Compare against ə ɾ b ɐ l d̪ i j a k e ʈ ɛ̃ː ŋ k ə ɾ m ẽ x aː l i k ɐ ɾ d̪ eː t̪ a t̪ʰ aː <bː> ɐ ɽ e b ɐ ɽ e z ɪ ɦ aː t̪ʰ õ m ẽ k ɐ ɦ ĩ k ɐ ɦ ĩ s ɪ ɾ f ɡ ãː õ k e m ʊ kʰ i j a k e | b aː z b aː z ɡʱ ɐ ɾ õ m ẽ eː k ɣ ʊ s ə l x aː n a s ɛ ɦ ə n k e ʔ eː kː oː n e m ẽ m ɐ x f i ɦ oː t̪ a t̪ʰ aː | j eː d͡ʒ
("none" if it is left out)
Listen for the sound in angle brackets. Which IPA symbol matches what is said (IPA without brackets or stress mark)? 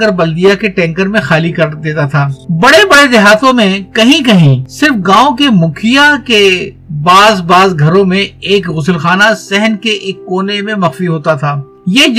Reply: b